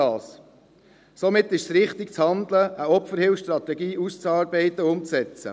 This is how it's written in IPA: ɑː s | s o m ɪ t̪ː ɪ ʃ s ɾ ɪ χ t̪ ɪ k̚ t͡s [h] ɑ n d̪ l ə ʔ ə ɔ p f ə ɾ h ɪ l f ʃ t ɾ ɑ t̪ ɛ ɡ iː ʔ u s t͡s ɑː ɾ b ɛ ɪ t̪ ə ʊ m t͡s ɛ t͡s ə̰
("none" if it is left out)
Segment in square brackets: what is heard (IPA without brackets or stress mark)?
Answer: h